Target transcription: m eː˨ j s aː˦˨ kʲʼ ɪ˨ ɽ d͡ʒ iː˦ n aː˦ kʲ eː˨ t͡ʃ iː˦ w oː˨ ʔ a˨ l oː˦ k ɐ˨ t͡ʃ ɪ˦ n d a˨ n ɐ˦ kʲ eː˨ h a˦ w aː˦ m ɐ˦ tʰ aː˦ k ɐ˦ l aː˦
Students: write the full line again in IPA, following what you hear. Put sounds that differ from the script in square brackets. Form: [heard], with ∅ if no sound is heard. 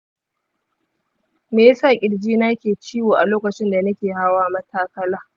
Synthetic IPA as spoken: m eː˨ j s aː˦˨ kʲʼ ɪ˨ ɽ d͡ʒ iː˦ n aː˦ kʲ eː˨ t͡ʃ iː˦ w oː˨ ʔ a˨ l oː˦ k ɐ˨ t͡ʃ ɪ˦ n d a˨ n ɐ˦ kʲ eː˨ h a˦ w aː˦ m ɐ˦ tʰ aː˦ k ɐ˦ l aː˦